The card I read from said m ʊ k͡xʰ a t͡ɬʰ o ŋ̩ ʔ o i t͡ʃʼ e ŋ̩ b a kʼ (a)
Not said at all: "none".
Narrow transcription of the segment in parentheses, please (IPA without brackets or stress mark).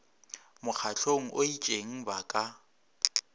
a